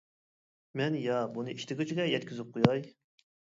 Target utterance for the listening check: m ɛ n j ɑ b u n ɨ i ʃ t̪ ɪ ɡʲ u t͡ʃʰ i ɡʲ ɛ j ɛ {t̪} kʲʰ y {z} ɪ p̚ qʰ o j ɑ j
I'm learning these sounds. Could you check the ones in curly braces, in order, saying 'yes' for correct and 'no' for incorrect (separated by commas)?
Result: yes, yes